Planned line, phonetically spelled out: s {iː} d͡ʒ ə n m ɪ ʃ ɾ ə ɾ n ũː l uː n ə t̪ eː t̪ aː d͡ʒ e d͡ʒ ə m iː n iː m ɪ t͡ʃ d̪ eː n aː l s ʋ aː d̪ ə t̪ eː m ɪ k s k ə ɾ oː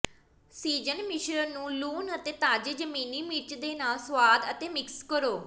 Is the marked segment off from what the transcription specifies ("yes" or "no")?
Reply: no